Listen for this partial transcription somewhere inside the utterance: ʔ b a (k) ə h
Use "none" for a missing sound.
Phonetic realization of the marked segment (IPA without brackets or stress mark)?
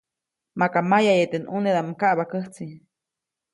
k